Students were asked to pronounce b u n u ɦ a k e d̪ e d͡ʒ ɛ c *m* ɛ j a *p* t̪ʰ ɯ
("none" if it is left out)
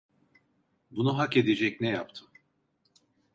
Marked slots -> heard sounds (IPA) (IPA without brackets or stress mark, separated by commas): n, p